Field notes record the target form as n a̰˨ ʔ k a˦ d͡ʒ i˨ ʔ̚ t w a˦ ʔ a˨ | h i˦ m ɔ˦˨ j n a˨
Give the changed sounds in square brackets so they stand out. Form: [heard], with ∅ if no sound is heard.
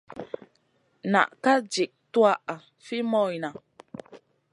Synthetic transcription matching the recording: n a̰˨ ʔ k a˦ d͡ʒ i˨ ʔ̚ t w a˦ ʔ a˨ | [f] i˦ m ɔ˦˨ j n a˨